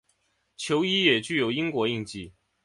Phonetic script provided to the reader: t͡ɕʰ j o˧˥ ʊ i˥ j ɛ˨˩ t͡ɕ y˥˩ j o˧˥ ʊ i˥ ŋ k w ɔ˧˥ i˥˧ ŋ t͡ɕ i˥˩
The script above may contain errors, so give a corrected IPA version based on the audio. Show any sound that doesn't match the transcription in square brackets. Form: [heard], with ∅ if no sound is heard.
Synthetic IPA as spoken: t͡ɕʰ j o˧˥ ʊ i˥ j ɛ˨˩ t͡ɕ y˥˩ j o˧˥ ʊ i˥ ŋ k w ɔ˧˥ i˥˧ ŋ t͡ɕ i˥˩